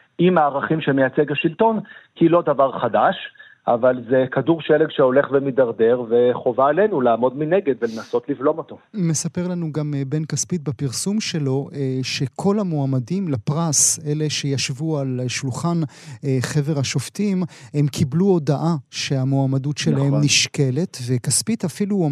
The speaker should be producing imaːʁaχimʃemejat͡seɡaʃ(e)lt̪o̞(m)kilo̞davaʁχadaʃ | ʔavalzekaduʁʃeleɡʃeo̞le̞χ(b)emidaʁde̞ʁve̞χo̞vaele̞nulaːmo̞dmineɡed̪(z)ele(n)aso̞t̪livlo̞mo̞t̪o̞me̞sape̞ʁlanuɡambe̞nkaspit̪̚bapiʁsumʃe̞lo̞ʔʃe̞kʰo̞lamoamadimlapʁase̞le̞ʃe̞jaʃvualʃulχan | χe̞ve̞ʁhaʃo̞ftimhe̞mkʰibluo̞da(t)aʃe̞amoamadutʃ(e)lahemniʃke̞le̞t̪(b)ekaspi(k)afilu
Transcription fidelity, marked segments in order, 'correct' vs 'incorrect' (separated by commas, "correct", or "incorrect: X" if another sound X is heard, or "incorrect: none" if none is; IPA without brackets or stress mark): incorrect: i, incorrect: n, incorrect: v, incorrect: v, correct, incorrect: ʔ, correct, incorrect: v, incorrect: t